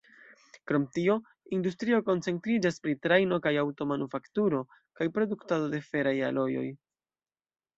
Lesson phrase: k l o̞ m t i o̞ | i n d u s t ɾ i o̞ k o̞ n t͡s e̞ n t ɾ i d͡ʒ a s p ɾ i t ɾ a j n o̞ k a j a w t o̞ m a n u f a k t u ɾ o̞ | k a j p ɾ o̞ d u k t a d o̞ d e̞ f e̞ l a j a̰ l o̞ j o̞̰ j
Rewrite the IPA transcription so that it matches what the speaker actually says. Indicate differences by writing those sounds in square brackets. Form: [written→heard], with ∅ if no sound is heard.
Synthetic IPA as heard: k [l→ɾ] o̞ m t i o̞ | i n d u s t ɾ i o̞ k o̞ n t͡s e̞ n t ɾ i d͡ʒ a s p ɾ i t ɾ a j n o̞ k a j a w t o̞ m a n u f a k t u ɾ o̞ | k a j p ɾ o̞ d u k t a d o̞ d e̞ f e̞ [l→ɾ] a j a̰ l o̞ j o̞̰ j